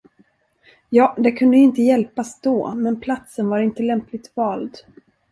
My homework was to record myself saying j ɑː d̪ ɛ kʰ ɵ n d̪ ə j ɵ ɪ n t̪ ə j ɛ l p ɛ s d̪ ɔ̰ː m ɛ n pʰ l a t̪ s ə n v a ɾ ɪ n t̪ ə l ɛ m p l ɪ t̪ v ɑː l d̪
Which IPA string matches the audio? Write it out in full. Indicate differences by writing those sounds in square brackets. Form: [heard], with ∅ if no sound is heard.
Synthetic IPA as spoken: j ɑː d̪ ɛ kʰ ɵ n d̪ ə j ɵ ɪ n t̪ ə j ɛ l p [a] s d̪ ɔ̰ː m ɛ n pʰ l a t̪ s ə n v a ɾ ɪ n t̪ ə l ɛ m p l ɪ t̪ v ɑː l d̪